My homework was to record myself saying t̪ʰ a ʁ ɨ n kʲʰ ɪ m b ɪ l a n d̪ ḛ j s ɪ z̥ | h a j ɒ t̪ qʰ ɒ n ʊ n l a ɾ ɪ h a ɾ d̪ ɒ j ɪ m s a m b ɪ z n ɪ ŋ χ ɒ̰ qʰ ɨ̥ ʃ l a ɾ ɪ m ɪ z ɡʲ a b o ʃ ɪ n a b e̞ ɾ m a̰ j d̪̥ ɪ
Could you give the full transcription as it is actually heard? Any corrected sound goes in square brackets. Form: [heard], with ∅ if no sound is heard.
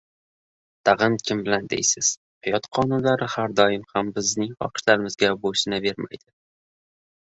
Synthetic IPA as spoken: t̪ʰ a ʁ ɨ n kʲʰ ɪ m b ɪ l a n d̪ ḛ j s ɪ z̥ | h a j ɒ t̪ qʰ ɒ n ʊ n l a ɾ ɪ h a ɾ d̪ ɒ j ɪ m [h] a m b ɪ z n ɪ ŋ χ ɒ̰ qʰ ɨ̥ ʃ l a ɾ ɪ m ɪ z ɡʲ a b o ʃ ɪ n a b e̞ ɾ m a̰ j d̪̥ ɪ

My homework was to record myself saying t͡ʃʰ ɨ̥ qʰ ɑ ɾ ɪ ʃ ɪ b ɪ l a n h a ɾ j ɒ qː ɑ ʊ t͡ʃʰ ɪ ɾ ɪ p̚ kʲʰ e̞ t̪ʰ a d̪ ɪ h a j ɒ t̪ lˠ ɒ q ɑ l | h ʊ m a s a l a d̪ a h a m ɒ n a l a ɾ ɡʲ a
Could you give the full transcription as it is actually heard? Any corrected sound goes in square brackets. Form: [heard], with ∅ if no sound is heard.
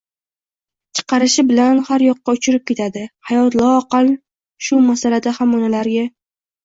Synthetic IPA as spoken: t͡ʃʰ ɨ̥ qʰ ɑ ɾ ɪ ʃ ɪ b ɪ l a n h a ɾ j ɒ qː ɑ ʊ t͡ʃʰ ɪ ɾ ɪ p̚ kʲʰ e̞ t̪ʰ a d̪ ɪ h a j ɒ t̪ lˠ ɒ q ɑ l | [ʃ] ʊ m a s a l a d̪ a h a m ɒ n a l a ɾ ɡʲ a

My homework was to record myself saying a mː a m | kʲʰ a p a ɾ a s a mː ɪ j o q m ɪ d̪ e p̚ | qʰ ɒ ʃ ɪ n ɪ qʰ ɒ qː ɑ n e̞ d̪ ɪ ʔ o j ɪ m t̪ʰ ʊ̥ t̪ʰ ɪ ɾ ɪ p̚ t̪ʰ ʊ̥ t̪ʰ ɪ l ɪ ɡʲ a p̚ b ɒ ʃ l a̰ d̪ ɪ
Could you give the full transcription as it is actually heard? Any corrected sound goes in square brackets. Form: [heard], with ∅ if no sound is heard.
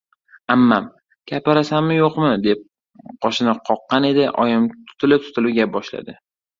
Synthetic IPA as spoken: a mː a m | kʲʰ a p a ɾ a s a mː ɪ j o q m ɪ d̪ e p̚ | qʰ ɒ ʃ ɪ n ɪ qʰ ɒ qː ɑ n e̞ d̪ ɪ ʔ [ɒ] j ɪ m t̪ʰ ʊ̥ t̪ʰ ɪ [l] ɪ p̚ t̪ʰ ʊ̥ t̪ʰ ɪ l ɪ ɡʲ a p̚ b ɒ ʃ l a̰ d̪ ɪ

